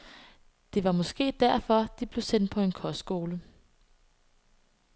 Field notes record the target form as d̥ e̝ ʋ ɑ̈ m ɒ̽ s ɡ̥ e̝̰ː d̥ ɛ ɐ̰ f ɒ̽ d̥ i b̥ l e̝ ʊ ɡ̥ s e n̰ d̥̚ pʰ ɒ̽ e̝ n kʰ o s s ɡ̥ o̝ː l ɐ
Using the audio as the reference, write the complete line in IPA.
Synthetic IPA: d̥ e̝ ʋ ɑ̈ m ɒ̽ s ɡ̥ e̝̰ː d̥ æ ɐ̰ f ɒ̽ d̥ i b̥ l e̝ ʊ s e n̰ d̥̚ pʰ ɒ̽ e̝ n kʰ ɒ s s ɡ̥ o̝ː l ə